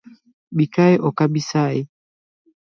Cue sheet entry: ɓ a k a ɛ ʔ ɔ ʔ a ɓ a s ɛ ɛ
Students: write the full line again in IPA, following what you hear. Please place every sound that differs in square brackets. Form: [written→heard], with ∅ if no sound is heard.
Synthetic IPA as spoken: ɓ [a→i] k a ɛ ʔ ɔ [ʔ→k] a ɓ [a→i] s [ɛ→a] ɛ